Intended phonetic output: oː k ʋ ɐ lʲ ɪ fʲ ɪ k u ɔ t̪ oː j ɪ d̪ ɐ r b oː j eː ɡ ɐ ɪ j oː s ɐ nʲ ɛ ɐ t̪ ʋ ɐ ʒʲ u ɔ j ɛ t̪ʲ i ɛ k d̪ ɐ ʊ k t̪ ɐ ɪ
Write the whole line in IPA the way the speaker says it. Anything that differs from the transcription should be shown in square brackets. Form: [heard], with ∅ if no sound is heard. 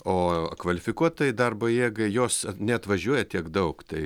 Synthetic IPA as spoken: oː k ʋ ɐ lʲ ɪ fʲ ɪ k u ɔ t̪ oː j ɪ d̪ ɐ r b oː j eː ɡ ɐ ɪ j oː s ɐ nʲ ɛ ɐ t̪ ʋ ɐ ʒʲ u ɔ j ɛ t̪ʲ i ɛ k d̪ ɐ ʊ k t̪ ɐ ɪ